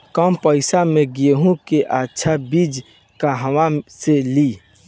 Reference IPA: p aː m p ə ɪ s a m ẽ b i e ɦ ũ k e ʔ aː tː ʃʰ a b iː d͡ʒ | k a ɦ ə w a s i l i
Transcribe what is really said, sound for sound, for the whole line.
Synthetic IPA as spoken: k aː m p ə ɪ s a m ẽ ɡ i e ɦ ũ k e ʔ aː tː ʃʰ a b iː d͡ʒ | k a ɦ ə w a s e l i